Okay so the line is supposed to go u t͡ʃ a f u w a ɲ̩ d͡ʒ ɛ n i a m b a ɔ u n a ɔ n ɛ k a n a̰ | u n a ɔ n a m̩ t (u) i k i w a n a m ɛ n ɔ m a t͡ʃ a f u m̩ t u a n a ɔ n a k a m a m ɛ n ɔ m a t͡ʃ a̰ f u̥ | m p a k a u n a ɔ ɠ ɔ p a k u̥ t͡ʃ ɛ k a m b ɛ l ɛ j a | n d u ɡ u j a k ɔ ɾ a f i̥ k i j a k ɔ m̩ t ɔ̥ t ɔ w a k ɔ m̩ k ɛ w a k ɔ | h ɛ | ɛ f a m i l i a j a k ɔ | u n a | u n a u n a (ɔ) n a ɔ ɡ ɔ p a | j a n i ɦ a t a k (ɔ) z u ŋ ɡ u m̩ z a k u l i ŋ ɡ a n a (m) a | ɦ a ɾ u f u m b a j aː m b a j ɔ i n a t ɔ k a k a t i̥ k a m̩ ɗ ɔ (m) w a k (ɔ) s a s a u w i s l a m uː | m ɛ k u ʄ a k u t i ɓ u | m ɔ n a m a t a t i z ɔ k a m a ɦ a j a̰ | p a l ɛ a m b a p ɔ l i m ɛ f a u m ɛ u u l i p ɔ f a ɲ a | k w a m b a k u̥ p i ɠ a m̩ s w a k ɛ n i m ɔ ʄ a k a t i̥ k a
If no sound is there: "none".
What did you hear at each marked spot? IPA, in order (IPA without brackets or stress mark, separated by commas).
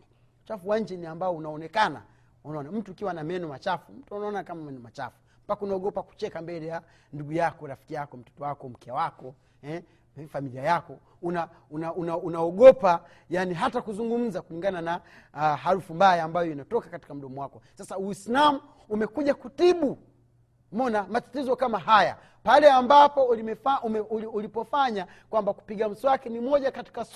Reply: u, u, u, n, m, ɔ